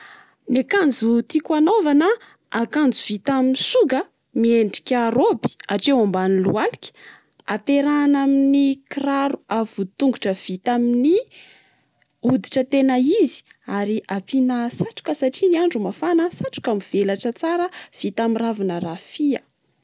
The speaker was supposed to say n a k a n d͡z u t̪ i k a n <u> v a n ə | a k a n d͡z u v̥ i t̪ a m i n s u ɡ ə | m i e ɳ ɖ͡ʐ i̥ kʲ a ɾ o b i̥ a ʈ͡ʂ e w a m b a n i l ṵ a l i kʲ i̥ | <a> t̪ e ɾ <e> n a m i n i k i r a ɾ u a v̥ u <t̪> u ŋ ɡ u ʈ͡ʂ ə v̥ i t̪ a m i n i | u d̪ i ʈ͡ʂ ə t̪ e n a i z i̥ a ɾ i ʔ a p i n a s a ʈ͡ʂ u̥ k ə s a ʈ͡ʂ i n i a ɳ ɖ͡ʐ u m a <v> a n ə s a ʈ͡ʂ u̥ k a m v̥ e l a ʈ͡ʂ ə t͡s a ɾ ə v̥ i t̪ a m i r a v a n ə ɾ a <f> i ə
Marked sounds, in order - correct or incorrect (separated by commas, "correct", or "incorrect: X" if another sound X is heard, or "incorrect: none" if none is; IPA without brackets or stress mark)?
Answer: incorrect: o, correct, incorrect: a, correct, incorrect: f, correct